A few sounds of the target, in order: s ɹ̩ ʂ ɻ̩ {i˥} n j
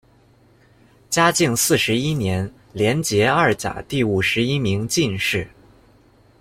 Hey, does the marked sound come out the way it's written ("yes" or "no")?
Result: yes